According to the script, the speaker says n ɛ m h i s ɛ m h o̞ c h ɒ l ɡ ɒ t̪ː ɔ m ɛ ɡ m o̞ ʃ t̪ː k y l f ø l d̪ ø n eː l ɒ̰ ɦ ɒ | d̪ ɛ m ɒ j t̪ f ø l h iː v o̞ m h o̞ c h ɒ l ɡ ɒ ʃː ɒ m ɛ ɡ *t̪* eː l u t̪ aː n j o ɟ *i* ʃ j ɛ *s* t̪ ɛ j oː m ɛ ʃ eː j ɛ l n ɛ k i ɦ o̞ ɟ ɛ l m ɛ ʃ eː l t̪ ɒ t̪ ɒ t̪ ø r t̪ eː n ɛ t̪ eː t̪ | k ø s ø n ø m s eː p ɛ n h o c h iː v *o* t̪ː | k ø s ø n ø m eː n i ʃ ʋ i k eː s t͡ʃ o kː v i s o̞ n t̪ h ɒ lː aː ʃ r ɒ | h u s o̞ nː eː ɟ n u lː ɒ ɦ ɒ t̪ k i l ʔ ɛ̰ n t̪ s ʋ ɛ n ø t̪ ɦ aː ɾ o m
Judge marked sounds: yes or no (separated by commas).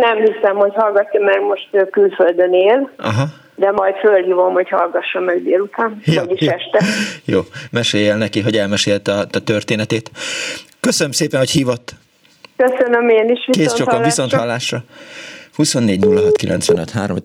no, yes, no, yes